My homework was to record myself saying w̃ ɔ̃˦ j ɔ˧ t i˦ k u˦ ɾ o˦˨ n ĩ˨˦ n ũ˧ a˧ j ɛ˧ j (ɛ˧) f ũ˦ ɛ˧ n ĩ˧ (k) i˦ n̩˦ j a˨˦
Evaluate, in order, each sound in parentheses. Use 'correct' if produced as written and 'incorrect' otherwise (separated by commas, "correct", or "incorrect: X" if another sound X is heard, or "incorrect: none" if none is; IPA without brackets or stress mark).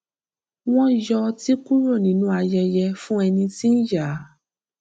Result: correct, incorrect: t